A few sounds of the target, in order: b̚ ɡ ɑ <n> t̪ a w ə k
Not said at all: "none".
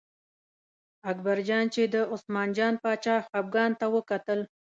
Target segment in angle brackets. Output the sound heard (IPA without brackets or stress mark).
n